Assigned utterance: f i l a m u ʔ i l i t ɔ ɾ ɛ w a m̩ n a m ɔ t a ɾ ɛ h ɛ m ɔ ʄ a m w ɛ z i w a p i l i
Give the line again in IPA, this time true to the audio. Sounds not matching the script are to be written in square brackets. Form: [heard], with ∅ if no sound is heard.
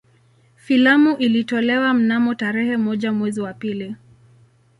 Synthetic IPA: f i l a m u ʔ i l i t ɔ [l] ɛ w a m̩ n a m ɔ t a ɾ ɛ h ɛ m ɔ ʄ a m w ɛ z i w a p i l i